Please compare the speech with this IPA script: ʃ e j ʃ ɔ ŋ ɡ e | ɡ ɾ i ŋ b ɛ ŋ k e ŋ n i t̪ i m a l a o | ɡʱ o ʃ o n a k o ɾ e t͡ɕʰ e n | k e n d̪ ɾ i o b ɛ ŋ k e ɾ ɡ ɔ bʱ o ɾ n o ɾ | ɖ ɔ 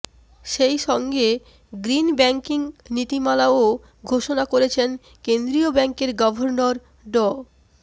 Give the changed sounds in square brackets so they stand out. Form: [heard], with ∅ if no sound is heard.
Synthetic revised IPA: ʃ e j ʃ ɔ ŋ ɡ e | ɡ ɾ i [n] b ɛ ŋ k [i] ŋ n i t̪ i m a l a o | ɡʱ o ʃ o n a k o ɾ e t͡ɕʰ e n | k e n d̪ ɾ i o b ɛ ŋ k e ɾ ɡ ɔ bʱ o ɾ n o ɾ | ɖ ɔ